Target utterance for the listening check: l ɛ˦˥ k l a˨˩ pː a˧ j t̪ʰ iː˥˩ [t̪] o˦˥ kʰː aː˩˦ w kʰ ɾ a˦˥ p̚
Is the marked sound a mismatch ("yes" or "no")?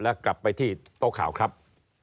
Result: no